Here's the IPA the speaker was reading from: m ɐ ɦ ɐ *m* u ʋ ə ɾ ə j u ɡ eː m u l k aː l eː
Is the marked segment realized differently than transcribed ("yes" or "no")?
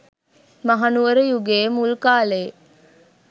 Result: yes